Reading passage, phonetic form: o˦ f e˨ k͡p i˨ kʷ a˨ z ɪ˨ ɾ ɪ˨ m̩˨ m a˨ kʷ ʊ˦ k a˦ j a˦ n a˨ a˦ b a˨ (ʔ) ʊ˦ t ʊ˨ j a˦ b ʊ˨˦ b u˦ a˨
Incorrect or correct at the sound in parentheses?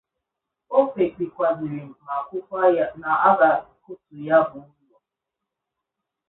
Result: incorrect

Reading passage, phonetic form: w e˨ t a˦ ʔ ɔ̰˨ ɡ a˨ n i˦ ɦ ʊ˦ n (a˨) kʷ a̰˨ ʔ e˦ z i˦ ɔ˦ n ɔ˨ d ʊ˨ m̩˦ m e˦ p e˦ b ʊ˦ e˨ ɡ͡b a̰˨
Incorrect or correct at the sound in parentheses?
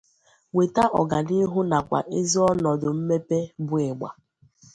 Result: correct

